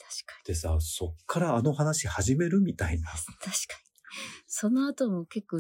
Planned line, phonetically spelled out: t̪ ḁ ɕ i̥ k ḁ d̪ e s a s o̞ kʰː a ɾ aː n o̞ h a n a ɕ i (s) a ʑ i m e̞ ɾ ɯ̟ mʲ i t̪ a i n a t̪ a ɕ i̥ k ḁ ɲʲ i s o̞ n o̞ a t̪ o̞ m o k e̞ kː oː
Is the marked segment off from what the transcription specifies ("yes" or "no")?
yes